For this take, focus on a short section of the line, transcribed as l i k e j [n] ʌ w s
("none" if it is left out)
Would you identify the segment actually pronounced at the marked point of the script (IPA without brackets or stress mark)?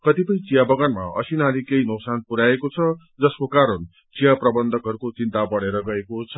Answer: n